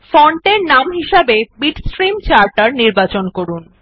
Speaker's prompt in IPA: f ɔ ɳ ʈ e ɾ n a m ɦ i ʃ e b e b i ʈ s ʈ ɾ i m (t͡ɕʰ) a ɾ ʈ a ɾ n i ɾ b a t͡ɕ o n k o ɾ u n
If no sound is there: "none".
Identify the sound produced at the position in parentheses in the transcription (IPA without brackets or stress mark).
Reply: t͡ɕ